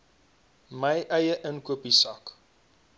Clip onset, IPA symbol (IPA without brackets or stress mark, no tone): m